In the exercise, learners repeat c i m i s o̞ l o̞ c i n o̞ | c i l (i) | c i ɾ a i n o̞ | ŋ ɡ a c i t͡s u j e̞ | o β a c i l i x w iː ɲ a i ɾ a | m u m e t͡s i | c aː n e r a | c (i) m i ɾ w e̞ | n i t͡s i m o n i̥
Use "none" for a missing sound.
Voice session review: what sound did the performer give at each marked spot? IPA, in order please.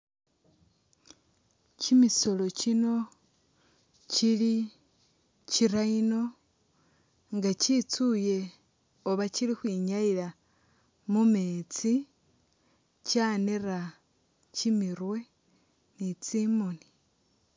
i, i

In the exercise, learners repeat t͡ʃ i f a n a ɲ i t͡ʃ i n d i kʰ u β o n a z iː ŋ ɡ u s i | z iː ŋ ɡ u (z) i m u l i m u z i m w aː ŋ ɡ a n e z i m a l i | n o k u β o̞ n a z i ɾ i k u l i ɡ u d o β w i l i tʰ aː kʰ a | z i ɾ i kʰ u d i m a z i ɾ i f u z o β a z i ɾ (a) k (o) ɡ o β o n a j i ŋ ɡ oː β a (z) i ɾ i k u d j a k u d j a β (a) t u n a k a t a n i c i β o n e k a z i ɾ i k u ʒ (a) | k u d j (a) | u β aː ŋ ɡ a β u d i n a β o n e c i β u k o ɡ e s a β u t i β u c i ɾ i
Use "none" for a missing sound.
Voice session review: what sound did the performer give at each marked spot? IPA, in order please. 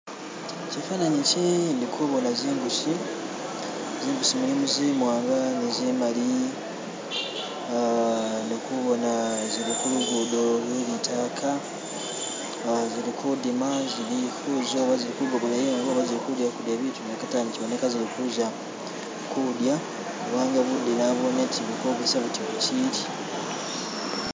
s, i, u, z, i, a, a

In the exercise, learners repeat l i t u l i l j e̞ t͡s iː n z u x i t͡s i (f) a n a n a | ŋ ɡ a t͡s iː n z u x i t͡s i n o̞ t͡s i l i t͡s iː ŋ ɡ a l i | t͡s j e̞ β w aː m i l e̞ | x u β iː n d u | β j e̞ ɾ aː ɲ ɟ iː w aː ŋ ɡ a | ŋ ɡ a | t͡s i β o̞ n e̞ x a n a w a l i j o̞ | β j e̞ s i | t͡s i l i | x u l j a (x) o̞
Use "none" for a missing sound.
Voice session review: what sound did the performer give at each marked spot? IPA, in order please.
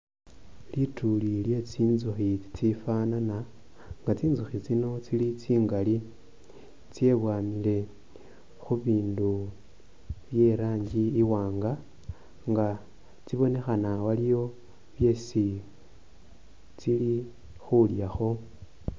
f, x

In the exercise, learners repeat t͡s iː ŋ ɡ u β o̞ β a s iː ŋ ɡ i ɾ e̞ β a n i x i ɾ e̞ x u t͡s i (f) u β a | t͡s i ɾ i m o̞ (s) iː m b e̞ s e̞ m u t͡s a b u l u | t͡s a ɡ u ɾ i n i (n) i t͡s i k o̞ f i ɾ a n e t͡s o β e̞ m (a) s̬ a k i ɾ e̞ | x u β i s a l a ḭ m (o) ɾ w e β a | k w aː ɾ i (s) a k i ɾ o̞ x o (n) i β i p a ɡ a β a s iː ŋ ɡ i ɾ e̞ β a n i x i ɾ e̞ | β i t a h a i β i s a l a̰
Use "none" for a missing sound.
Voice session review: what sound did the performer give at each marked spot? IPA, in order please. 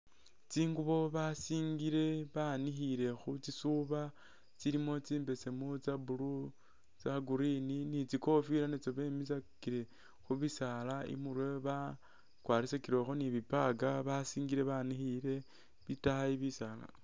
s, t͡s, n, i, u, s, n

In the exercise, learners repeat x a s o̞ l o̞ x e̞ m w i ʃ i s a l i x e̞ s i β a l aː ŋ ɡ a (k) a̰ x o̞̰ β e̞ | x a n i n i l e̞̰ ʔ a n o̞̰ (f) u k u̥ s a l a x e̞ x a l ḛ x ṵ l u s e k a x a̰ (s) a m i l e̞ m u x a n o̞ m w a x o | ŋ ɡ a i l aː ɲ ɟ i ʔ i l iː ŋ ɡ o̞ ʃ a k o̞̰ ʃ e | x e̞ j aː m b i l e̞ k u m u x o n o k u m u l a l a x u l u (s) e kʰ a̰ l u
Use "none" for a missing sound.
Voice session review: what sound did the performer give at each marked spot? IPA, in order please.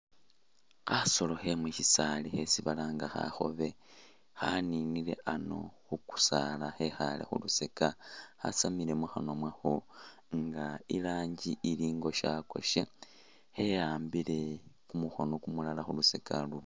x, x, s, s

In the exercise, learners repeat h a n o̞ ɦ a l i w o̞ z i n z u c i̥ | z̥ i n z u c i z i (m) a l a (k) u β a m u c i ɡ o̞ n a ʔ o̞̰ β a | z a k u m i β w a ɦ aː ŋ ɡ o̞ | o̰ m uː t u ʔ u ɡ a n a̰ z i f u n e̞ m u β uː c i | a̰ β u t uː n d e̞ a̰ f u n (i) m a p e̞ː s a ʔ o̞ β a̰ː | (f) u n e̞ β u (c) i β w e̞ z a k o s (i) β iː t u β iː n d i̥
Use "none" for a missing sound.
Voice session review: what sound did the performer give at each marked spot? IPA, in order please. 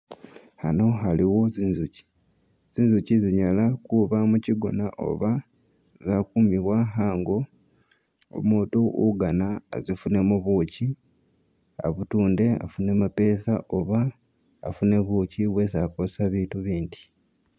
ɲ, k, e, f, c, a

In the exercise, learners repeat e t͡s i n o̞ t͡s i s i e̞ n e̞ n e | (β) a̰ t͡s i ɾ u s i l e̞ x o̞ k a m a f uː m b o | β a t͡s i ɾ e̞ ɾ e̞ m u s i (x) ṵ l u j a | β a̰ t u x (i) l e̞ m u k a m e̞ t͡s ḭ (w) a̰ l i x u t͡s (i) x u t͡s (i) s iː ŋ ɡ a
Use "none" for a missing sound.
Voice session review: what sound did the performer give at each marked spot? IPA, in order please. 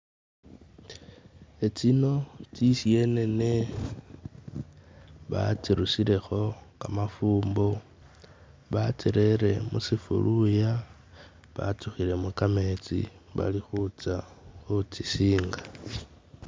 β, f, i, β, a, i

